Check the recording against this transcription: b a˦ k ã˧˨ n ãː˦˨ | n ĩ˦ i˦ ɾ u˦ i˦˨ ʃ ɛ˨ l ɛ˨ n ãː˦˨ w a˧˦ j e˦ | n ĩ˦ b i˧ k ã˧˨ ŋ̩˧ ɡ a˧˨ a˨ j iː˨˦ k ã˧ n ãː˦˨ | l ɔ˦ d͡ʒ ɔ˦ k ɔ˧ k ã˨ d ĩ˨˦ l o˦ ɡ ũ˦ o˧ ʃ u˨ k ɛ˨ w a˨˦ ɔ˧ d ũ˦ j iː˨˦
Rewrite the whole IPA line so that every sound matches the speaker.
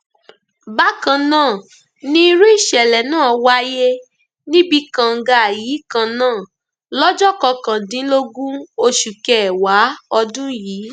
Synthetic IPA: b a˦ k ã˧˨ n ãː˦˨ | n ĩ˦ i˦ ɾ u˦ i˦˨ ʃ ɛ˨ l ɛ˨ n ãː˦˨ w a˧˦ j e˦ | n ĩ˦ b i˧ k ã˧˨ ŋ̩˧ ɡ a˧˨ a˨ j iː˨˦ k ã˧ n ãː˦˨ | l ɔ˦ d͡ʒ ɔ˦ k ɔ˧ k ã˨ d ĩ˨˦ l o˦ ɡ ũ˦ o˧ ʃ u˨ k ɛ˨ w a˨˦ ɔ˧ d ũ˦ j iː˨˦